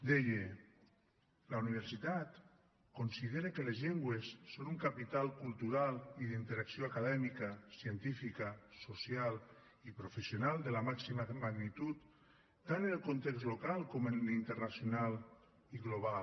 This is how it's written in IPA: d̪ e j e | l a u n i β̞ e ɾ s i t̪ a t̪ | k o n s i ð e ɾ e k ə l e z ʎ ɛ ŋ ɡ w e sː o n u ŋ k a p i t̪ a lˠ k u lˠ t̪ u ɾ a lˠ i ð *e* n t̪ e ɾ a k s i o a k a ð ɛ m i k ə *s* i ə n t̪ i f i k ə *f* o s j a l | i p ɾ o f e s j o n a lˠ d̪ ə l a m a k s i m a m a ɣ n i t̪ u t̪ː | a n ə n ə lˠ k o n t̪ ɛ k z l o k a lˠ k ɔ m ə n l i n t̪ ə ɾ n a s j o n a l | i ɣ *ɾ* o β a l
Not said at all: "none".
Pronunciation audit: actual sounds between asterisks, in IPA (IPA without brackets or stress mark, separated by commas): i, s, s, l